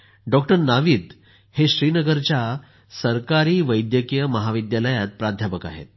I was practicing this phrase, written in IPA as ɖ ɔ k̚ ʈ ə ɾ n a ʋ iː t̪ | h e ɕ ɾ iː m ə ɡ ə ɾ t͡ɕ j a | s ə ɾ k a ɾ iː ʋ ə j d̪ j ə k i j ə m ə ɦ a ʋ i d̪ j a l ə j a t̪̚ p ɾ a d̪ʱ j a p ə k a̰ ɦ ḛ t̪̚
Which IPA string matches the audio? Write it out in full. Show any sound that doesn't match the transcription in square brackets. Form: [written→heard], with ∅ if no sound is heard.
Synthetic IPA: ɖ ɔ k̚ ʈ ə ɾ n a ʋ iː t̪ | h e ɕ ɾ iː [m→n] ə ɡ ə ɾ t͡ɕ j a | s ə ɾ k a ɾ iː ʋ ə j d̪ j ə k i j ə m ə ɦ a ʋ i d̪ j a l ə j a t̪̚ p ɾ a d̪ʱ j a p ə k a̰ ɦ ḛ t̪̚